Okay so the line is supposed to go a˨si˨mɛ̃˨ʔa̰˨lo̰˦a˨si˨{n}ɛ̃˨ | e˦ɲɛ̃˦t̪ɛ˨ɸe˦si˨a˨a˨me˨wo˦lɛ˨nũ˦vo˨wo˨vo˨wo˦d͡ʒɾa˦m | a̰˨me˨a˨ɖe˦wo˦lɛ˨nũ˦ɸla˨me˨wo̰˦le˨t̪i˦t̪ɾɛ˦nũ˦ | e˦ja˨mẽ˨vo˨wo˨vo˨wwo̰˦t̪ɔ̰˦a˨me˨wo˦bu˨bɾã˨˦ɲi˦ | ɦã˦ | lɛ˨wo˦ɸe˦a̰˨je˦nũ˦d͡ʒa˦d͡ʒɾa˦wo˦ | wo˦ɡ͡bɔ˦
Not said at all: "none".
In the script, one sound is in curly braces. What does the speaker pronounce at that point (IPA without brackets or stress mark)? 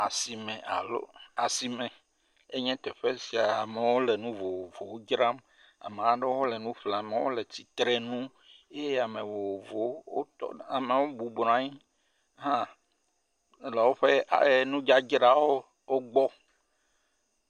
m